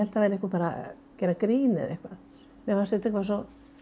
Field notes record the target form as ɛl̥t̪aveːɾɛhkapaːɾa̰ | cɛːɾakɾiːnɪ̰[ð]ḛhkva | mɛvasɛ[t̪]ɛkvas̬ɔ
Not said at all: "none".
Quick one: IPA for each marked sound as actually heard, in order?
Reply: ð, t̪

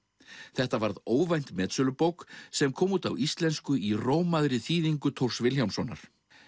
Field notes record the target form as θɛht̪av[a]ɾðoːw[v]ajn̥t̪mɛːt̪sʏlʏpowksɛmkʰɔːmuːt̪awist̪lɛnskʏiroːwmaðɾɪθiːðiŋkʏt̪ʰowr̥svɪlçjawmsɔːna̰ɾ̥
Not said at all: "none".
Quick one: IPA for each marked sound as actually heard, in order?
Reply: a, v

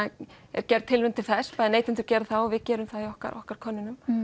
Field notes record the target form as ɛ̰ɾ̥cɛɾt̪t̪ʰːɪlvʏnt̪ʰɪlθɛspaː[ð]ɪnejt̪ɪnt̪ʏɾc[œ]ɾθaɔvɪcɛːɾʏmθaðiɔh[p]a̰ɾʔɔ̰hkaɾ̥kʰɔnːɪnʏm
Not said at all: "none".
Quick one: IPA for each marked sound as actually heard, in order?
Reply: ð, ɛ, k

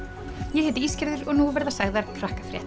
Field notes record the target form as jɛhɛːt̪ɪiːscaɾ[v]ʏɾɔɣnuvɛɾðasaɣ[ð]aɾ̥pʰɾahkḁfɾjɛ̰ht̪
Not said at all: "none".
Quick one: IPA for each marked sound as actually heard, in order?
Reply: ð, ð

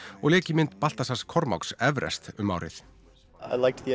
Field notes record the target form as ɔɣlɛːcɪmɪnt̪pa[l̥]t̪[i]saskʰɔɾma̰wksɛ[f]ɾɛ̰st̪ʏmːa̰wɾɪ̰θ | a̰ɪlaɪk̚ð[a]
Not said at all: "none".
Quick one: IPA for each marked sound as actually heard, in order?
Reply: l̥, a, v, i

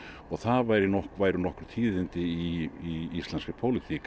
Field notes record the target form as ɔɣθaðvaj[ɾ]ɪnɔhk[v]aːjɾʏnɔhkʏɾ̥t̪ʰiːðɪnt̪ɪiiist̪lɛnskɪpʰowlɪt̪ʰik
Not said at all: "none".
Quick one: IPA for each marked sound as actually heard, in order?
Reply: ɾ, v

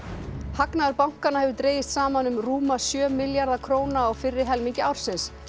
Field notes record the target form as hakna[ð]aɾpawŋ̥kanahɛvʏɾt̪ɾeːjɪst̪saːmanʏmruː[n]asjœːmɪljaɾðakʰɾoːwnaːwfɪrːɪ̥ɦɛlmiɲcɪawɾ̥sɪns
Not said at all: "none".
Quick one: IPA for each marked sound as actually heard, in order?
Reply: ð, m

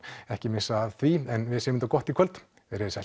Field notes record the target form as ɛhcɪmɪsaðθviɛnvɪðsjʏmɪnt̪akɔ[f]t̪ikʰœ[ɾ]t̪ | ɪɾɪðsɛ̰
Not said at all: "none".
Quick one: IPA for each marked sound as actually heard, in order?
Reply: h, l

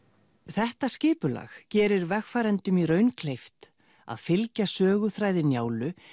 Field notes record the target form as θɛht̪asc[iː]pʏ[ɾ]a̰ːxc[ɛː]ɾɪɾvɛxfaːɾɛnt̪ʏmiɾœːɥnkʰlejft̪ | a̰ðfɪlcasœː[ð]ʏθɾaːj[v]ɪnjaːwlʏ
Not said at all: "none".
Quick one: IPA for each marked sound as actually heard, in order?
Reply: ɪː, l, ɛː, ɣ, ð

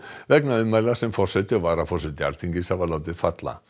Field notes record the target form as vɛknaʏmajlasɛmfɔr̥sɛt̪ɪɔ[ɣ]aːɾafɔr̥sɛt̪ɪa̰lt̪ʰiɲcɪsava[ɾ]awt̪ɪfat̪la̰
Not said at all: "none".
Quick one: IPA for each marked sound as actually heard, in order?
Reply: v, l

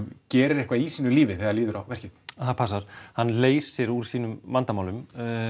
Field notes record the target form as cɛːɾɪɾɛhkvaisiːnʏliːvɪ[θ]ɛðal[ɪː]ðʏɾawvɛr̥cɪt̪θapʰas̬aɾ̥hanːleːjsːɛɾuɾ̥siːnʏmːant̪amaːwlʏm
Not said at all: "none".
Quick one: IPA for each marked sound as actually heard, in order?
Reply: θ, iː

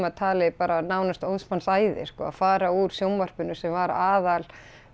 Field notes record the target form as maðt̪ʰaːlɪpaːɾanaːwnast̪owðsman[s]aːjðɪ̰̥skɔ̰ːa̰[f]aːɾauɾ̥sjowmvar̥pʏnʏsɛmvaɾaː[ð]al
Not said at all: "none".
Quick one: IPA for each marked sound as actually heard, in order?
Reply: s, f, ð

